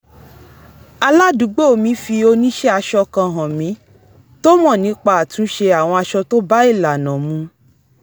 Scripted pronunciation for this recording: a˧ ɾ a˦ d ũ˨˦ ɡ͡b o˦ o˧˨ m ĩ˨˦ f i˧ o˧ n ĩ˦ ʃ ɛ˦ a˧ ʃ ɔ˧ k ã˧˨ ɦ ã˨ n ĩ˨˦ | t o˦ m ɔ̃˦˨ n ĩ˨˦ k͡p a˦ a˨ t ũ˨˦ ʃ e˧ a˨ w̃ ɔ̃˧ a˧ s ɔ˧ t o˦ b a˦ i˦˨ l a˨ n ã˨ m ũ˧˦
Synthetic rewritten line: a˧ l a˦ d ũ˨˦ ɡ͡b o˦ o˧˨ m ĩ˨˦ f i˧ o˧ n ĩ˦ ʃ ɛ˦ a˧ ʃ ɔ˧ k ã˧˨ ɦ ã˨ m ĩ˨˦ | t o˦ m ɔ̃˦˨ n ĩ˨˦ k͡p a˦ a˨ t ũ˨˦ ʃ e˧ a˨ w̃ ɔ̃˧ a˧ ʃ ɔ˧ t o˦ b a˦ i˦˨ l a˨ n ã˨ m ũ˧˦